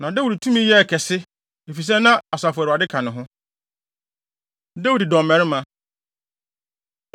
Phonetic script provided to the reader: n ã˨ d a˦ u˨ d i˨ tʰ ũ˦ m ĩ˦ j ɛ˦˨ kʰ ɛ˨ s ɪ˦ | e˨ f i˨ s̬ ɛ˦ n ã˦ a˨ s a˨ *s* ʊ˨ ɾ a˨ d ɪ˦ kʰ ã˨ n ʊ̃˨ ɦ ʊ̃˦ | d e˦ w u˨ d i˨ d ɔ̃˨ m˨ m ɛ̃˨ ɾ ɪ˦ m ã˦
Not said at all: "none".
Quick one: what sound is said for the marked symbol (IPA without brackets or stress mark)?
f